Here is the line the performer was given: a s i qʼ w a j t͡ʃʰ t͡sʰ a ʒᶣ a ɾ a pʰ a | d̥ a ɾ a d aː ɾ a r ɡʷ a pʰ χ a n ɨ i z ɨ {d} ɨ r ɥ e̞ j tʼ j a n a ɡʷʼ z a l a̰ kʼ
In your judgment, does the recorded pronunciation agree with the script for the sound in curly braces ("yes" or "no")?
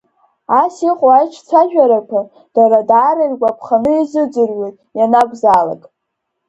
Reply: no